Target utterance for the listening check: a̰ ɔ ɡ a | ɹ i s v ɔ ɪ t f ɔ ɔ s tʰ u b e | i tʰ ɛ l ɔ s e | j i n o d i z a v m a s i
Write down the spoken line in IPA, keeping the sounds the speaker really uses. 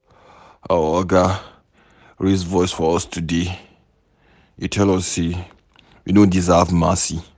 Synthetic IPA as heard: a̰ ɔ ɡ a | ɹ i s v ɔ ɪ s f ɔ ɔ s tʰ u d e | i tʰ ɛ l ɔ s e | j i n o d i z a v m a s i